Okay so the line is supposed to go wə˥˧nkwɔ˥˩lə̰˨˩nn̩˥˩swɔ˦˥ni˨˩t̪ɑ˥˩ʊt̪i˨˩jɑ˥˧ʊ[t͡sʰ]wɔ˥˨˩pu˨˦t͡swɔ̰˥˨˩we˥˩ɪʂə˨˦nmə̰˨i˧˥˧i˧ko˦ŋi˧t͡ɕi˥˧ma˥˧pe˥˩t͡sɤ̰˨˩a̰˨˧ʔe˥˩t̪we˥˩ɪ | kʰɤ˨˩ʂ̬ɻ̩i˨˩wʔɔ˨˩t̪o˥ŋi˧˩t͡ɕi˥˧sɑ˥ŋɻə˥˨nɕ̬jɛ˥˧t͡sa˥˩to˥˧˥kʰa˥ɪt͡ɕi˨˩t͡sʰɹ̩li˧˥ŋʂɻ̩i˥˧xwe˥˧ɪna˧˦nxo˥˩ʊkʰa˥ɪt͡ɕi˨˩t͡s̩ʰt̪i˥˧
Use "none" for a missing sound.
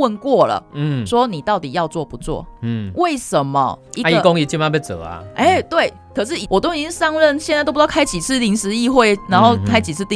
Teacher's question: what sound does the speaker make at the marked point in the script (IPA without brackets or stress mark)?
t͡s